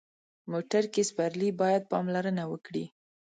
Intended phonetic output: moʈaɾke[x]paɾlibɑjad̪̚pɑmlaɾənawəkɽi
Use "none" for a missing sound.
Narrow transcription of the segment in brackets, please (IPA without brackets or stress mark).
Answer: s